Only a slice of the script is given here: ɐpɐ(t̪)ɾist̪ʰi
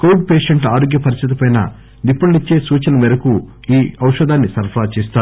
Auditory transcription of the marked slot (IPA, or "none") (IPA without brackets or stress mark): none